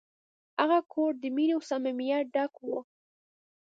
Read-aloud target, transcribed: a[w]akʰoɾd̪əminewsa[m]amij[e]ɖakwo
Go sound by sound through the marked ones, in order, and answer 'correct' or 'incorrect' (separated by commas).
incorrect, correct, incorrect